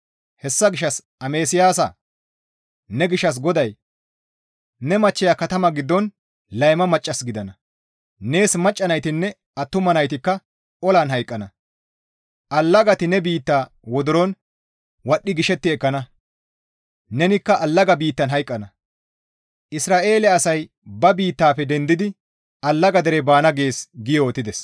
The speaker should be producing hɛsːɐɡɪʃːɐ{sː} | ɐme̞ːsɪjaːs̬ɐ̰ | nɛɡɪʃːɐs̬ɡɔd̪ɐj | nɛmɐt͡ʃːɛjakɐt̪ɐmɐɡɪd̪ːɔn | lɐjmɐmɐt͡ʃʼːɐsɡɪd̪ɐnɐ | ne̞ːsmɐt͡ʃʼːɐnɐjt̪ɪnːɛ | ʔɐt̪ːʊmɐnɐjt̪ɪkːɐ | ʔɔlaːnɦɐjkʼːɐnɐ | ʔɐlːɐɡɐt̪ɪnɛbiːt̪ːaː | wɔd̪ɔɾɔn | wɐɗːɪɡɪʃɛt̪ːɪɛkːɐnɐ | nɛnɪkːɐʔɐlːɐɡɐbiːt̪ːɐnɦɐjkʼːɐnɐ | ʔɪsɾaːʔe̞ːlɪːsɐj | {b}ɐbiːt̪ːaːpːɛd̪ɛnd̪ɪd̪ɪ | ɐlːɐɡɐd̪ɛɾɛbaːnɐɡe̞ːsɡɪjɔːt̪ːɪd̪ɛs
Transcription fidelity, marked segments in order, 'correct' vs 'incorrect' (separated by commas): incorrect, correct